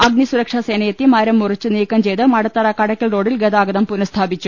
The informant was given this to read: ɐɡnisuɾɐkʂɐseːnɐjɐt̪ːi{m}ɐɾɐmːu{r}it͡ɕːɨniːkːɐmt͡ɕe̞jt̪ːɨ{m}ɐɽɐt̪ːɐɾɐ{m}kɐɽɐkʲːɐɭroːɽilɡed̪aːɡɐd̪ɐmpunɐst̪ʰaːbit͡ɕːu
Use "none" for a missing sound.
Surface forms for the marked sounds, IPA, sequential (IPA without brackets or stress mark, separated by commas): m, r, m, none